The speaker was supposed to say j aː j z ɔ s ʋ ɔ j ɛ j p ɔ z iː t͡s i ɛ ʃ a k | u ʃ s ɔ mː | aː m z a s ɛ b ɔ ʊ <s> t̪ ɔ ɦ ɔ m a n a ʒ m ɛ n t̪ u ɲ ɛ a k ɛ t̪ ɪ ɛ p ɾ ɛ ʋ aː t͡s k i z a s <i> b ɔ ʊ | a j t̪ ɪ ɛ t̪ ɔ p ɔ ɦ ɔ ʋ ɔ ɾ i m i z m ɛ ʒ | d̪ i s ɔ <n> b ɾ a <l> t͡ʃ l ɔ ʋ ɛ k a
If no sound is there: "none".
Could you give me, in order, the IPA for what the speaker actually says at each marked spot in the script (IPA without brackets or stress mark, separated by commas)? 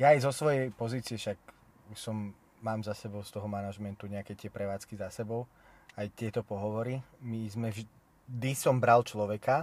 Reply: s, ɛ, m, l